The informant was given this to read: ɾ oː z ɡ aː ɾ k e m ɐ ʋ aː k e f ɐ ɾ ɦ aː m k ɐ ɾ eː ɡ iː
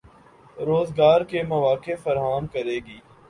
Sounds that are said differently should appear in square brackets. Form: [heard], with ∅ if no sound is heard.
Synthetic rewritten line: ɾ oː z ɡ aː ɾ k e m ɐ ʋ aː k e f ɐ ɾ ɦ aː m k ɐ ɾ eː ɡ iː

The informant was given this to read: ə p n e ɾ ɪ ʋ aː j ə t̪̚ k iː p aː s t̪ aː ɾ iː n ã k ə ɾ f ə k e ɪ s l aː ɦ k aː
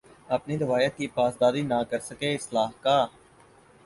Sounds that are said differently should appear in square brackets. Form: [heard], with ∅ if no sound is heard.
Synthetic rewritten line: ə p n [i] ɾ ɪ ʋ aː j ə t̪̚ k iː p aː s [d̪] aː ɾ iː n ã k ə ɾ [s] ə k e ɪ s l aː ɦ k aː

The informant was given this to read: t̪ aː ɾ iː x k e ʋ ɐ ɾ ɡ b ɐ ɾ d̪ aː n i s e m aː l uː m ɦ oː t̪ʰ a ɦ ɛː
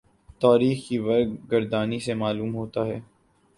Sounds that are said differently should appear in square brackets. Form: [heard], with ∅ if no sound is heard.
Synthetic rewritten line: t̪ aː ɾ iː x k [i] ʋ ɐ ɾ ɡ [ɡ] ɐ ɾ d̪ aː n i s e m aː l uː m ɦ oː [t̪] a ɦ ɛː

